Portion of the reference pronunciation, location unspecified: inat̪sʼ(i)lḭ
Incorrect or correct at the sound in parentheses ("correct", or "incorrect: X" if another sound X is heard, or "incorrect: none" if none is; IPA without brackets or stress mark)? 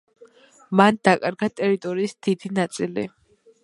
correct